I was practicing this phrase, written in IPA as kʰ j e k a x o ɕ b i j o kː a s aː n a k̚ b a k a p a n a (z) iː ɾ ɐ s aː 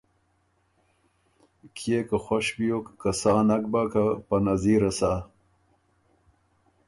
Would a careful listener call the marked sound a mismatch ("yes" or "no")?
no